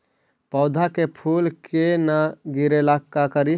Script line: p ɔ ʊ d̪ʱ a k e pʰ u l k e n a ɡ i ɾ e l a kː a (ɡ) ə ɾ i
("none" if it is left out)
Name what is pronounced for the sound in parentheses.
k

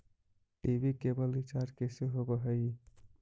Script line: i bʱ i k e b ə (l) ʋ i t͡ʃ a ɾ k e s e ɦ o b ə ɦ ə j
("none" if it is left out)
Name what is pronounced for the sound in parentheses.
l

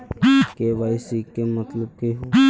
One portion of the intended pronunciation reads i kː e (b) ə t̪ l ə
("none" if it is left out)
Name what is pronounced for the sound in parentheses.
m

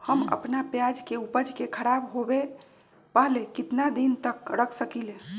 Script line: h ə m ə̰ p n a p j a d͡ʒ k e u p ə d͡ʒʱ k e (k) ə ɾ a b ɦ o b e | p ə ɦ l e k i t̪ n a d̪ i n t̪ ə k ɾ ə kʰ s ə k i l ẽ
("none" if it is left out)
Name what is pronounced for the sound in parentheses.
kʰ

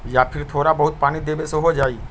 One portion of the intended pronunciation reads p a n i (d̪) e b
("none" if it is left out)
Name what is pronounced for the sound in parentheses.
d̪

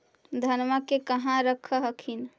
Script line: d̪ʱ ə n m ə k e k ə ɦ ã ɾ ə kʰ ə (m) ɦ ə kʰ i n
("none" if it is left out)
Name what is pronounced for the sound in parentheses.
none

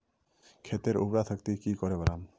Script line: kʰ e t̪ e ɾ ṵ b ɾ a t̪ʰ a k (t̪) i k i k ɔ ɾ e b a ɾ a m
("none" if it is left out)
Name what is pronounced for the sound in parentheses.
t̪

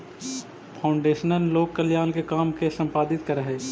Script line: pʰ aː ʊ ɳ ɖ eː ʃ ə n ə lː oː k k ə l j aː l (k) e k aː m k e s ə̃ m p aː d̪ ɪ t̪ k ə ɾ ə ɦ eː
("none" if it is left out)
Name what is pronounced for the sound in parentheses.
k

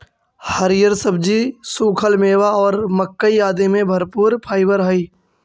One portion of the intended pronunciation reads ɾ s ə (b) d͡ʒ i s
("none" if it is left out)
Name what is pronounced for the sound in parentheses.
b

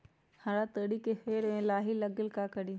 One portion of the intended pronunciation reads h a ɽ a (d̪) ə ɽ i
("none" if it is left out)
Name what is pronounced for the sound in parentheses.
t̪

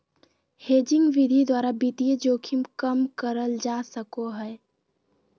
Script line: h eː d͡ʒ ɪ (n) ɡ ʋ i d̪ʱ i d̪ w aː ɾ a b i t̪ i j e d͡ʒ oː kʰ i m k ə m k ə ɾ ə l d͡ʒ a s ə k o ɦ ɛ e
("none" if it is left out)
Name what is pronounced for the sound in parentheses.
ŋ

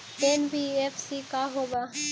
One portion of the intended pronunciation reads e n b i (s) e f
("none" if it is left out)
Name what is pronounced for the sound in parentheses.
none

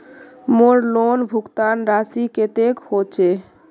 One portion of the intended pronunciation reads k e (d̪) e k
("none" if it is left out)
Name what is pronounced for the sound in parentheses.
t̪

